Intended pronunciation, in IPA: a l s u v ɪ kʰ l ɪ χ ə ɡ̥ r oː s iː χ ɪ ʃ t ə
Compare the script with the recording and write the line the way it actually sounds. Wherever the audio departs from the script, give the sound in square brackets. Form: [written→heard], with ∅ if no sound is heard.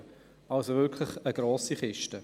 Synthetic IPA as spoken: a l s [u→o] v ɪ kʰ l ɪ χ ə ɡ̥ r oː s [iː→i] χ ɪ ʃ t ə